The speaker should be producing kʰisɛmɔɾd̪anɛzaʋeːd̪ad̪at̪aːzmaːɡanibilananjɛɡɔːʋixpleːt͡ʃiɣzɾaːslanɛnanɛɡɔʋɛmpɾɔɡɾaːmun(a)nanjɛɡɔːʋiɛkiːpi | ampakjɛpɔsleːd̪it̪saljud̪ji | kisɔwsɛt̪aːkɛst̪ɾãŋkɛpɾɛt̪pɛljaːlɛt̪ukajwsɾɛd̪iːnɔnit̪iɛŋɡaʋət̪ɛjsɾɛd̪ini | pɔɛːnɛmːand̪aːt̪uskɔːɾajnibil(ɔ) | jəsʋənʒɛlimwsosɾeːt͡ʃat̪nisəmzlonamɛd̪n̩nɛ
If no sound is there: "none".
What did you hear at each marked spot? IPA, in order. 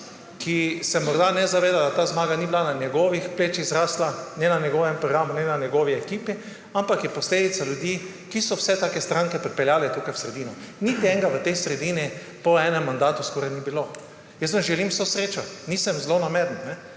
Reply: ɛ, o

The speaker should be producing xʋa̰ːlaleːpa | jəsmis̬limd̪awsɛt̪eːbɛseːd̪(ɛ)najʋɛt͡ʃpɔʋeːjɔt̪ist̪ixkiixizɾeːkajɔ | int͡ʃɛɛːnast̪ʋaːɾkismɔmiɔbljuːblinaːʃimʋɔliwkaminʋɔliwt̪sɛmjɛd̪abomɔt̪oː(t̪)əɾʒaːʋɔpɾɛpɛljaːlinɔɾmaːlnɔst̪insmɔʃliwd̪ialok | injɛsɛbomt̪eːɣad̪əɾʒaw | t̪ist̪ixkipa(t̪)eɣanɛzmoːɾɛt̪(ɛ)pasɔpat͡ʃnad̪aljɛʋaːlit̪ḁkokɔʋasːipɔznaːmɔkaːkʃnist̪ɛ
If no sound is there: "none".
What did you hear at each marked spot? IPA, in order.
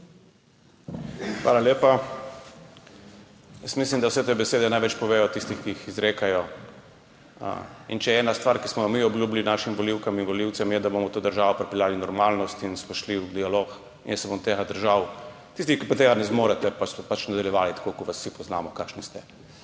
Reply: ɛ, d̪, t̪, ɛ

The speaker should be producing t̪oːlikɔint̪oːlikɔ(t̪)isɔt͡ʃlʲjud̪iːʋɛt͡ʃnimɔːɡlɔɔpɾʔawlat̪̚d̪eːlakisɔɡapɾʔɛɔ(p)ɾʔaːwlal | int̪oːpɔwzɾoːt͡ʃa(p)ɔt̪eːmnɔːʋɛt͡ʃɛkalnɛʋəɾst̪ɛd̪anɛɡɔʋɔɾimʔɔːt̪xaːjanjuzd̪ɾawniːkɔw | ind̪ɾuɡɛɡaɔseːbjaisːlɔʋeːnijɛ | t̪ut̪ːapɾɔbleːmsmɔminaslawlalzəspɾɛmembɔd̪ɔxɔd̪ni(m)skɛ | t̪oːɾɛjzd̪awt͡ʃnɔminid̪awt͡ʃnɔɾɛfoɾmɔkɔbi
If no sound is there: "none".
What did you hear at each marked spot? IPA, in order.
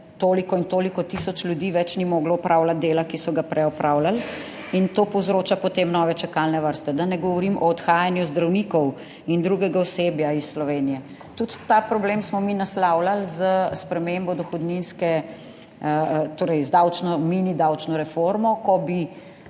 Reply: t̪, p, p, n

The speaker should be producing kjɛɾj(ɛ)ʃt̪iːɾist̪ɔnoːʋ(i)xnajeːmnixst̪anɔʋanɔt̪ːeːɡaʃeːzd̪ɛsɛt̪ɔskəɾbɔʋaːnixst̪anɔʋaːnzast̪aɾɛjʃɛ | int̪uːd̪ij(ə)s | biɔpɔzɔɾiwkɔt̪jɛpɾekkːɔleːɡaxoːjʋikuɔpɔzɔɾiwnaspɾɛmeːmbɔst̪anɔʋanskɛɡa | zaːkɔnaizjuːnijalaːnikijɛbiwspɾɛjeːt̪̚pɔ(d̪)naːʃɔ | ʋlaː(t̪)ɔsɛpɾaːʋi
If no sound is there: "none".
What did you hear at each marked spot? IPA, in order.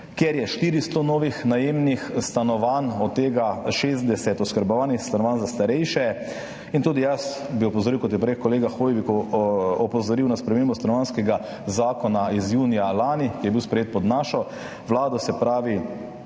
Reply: ɛ, i, a, d̪, d̪

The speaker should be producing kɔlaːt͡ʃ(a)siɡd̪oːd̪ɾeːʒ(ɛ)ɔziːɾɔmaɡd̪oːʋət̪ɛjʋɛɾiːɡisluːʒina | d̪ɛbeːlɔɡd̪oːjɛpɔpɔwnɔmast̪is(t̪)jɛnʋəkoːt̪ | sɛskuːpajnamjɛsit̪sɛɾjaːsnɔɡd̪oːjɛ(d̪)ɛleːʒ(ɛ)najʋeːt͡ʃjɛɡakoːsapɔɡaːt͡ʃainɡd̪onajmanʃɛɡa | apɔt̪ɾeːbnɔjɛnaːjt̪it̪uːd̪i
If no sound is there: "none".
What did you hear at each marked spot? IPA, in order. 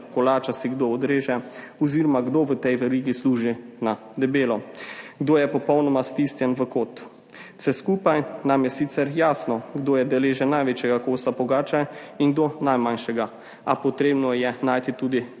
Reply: a, ɛ, t̪, d̪, ɛ

